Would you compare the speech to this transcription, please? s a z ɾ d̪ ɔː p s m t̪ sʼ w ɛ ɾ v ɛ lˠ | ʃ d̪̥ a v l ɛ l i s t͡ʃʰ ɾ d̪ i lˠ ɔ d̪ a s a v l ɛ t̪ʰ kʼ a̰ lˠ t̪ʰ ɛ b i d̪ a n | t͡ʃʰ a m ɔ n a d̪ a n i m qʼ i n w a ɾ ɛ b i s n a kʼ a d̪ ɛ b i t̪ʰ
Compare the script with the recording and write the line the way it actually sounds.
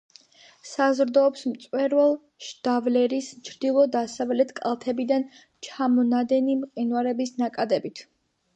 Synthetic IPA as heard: s a z ɾ d̪ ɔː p s m t̪ sʼ w ɛ ɾ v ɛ lˠ | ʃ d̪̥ a v l ɛ ɾ i s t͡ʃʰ ɾ d̪ i lˠ ɔ d̪ a s a v l ɛ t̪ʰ kʼ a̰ lˠ t̪ʰ ɛ b i d̪ a n | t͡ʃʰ a m ɔ n a d̪ ɛ n i m qʼ i n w a ɾ ɛ b i s n a kʼ a d̪ ɛ b i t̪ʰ

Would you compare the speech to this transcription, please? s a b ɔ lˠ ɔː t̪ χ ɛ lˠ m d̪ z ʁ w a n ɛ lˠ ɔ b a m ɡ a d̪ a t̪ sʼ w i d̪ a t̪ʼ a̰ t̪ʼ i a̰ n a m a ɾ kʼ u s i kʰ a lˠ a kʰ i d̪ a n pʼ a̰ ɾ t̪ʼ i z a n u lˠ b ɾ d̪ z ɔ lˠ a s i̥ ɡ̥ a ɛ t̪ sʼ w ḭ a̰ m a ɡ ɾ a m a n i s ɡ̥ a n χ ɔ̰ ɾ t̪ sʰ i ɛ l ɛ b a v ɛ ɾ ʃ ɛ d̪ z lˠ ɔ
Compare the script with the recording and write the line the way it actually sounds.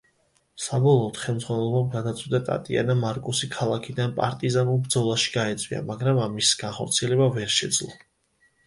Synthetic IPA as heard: s a b ɔ lˠ ɔː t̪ χ ɛ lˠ m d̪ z ʁ w a n ɛ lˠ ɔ b a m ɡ a d̪ a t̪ sʼ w i d̪ a t̪ʼ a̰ t̪ʼ i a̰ n a m a ɾ kʼ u s i kʰ a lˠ a kʰ i d̪ a n pʼ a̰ ɾ t̪ʼ i z a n u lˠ b ɾ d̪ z ɔ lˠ a ʃ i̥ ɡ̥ a ɛ t̪ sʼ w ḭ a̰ m a ɡ ɾ a m a m i s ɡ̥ a n χ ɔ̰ ɾ t̪ sʰ i ɛ l ɛ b a v ɛ ɾ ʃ ɛ d̪ z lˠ ɔ

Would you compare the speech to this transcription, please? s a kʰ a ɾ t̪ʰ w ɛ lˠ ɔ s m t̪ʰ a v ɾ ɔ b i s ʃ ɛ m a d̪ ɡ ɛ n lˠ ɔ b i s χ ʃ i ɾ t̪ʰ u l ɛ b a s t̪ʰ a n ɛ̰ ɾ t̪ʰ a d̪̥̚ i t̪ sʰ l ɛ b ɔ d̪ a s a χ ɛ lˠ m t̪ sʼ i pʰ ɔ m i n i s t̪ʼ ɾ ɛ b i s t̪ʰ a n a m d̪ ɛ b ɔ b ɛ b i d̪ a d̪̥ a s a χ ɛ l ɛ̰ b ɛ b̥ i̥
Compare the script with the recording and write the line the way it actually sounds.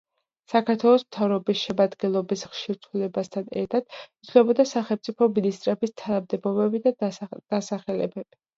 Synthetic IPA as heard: s a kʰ a ɾ t̪ʰ w ɛ lˠ ɔ s m t̪ʰ a v ɾ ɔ b i s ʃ ɛ m a d̪ ɡ ɛ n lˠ ɔ b i s χ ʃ i ɾ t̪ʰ u l ɛ b a s t̪ʰ a n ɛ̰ ɾ t̪ʰ a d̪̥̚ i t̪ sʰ l ɛ b ɔ d̪ a s a χ ɛ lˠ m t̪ sʼ i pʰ ɔ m i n i s t̪ʼ ɾ ɛ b i s t̪ʰ a n a m d̪ ɛ b ɔ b ɛ b i d̪ a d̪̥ a s a χ ɛ l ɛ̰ b ɛ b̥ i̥

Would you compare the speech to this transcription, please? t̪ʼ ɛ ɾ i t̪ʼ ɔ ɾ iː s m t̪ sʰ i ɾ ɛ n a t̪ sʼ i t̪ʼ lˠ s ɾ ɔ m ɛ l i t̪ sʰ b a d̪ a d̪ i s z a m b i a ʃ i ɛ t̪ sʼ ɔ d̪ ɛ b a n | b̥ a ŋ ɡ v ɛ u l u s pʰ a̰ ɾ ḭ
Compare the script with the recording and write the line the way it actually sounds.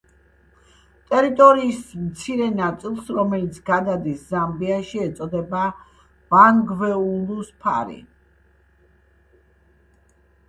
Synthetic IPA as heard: t̪ʼ ɛ ɾ i t̪ʼ ɔ ɾ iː s m t̪ sʰ i ɾ ɛ n a t̪ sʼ i lˠ s ɾ ɔ m ɛ l i t̪ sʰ ɡ a d̪ a d̪ i s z a m b i a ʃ i ɛ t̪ sʼ ɔ d̪ ɛ b a | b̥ a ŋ ɡ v ɛ u l u s pʰ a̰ ɾ ḭ

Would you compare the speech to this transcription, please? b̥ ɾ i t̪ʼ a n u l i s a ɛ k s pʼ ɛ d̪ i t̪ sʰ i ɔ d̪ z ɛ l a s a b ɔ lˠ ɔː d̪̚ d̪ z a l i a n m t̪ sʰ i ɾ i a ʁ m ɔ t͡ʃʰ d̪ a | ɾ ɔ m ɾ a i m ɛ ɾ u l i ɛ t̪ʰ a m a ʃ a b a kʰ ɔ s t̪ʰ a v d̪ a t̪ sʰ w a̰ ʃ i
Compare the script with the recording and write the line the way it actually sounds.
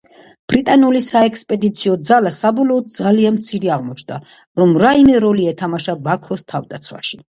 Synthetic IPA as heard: b̥ ɾ i t̪ʼ a n u l i s a ɛ k s pʼ ɛ d̪ i t̪ sʰ i ɔ d̪ z a l a s a b ɔ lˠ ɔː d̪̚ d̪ z a l i a n m t̪ sʰ i ɾ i a ʁ m ɔ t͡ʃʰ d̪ a | ɾ ɔ m ɾ a i m ɛ ɾ ɔ l i ɛ t̪ʰ a m a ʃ a b a kʰ ɔ s t̪ʰ a v d̪ a t̪ sʰ w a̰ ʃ i

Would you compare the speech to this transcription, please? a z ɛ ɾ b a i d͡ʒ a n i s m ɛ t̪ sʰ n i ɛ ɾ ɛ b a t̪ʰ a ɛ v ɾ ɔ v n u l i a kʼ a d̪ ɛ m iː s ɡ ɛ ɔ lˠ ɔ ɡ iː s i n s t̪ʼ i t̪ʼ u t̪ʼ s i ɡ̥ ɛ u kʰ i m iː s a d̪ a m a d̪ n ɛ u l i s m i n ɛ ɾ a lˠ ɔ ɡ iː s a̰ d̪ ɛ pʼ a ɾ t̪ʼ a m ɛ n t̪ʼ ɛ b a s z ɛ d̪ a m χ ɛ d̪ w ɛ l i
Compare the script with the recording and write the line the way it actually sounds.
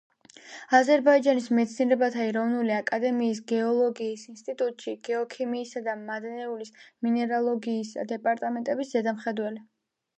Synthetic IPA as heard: a z ɛ ɾ b a i d͡ʒ a n i s m ɛ t̪ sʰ n i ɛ ɾ ɛ b a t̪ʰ a ɛ ɾ ɔ v n u l i a kʼ a d̪ ɛ m iː s ɡ ɛ ɔ lˠ ɔ ɡ iː s i n s t̪ʼ i t̪ʼ u t̪ʼ ʃ i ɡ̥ ɛ ɔ kʰ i m iː s a d̪ a m a d̪ n ɛ u l i s m i n ɛ ɾ a lˠ ɔ ɡ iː s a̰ d̪ ɛ pʼ a ɾ t̪ʼ a m ɛ n t̪ʼ ɛ b i s z ɛ d̪ a m χ ɛ d̪ w ɛ l i

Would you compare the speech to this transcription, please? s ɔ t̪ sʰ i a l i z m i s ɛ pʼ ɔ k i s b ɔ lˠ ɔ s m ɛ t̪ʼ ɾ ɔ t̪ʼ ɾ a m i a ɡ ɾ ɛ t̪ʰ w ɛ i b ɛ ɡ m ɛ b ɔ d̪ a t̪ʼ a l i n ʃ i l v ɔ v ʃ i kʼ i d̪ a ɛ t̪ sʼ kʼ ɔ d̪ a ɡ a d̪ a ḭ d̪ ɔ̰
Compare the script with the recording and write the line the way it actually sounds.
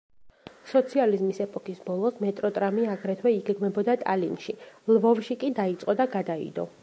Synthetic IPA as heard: s ɔ t̪ sʰ i a l i z m i s ɛ pʼ ɔ k i s b ɔ lˠ ɔ s m ɛ t̪ʼ ɾ ɔ t̪ʼ ɾ a m i a ɡ ɾ ɛ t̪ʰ w ɛ i ɡ ɛ ɡ m ɛ b ɔ d̪ a t̪ʼ a l i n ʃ i l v ɔ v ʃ i kʼ i d̪ a i t̪ sʼ qʼ ɔ d̪ a ɡ a d̪ a ḭ d̪ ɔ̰

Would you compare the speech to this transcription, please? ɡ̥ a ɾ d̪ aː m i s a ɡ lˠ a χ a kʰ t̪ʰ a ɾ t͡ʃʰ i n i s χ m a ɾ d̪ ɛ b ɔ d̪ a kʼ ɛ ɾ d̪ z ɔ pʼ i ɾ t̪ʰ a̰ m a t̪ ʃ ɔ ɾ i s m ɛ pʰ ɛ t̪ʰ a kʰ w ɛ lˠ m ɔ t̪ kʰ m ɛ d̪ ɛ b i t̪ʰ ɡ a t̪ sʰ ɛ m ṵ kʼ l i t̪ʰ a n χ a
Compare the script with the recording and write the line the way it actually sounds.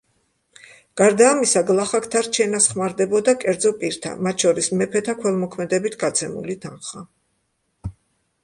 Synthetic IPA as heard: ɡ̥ a ɾ d̪ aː m i s a ɡ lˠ a χ a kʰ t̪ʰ a ɾ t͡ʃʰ ɛ n a s χ m a ɾ d̪ ɛ b ɔ d̪ a kʼ ɛ ɾ d̪ z ɔ pʼ i ɾ t̪ʰ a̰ m a t̪ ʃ ɔ ɾ i s m ɛ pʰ ɛ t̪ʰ a kʰ w ɛ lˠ m ɔ kʰ m ɛ d̪ ɛ b i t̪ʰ ɡ a t̪ sʰ ɛ m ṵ l i t̪ʰ a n χ a

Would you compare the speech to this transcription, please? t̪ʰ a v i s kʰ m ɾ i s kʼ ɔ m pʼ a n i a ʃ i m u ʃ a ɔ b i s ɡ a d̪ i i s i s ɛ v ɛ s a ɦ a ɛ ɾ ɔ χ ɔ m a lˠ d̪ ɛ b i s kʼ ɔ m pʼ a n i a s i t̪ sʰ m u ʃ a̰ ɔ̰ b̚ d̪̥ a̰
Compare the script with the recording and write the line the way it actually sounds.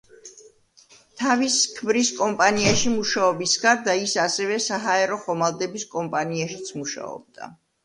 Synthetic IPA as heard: t̪ʰ a v i s kʰ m ɾ i s kʼ ɔ m pʼ a n i a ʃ i m u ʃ a ɔ b i s ɡ a d̪ a i s a s ɛ v ɛ s a ɦ a ɛ ɾ ɔ χ ɔ m a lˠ d̪ ɛ b i s kʼ ɔ m pʼ a n i a ʃ i t̪ sʰ m u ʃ a̰ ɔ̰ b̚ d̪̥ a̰

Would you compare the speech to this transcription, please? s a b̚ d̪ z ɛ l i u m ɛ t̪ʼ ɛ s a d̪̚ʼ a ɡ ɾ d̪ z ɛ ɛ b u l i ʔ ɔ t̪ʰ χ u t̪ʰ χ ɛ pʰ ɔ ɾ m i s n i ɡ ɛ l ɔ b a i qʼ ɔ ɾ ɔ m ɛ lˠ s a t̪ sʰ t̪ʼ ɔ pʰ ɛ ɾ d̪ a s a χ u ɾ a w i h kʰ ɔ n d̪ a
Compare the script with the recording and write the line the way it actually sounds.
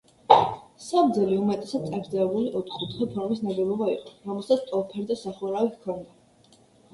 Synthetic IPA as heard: s a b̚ d̪ z ɛ l i u m ɛ t̪ʼ ɛ s a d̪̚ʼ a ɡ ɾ d̪ z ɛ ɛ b u l i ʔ ɔ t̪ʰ χ u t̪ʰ χ ɛ pʰ ɔ ɾ m i s n a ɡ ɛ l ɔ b a i qʼ ɔ ɾ ɔ m ɛ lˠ s a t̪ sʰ t̪ʼ ɔ pʰ ɛ ɾ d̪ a s a χ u ɾ a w i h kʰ ɔ n d̪ a

